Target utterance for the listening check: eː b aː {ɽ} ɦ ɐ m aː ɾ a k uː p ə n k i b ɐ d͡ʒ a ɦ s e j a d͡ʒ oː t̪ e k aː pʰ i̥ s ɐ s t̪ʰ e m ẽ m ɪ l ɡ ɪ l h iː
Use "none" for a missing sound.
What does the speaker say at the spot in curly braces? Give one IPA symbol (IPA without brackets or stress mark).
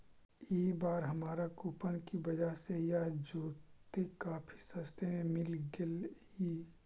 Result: ɾ